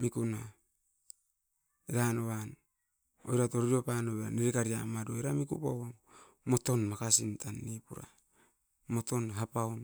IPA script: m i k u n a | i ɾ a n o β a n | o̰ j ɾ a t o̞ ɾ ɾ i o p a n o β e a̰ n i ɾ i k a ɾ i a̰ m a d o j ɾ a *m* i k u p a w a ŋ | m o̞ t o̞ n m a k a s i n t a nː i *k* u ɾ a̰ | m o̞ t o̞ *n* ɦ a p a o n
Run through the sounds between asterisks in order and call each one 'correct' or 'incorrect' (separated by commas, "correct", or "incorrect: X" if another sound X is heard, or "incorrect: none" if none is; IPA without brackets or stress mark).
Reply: correct, incorrect: p, correct